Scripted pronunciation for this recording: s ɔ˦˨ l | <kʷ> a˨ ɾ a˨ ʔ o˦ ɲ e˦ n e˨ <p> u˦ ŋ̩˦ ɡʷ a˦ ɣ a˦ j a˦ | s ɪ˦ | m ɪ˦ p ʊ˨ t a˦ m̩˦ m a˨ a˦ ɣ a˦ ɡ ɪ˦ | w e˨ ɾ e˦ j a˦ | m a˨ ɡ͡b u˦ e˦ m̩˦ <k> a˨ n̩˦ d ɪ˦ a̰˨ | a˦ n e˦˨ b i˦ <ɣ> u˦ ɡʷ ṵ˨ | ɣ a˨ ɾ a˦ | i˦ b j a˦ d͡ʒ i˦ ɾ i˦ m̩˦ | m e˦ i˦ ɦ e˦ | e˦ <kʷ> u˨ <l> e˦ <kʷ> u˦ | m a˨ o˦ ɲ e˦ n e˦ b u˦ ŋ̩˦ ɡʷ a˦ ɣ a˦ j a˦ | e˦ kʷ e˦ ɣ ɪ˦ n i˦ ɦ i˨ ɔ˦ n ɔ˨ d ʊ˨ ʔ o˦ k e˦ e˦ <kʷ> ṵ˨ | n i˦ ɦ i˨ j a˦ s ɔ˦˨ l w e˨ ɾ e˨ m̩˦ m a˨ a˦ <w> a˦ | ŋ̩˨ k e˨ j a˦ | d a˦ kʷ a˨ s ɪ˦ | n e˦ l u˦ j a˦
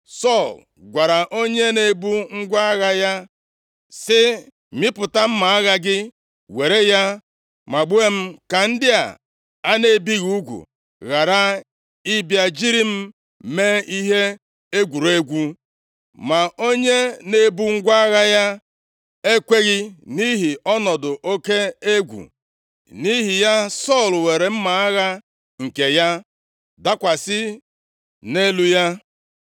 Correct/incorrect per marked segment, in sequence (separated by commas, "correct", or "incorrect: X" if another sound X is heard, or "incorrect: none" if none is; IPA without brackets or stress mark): incorrect: ɡʷ, incorrect: b, correct, correct, incorrect: ɡʷ, incorrect: ɾ, incorrect: ɡʷ, incorrect: ɡʷ, incorrect: ɣ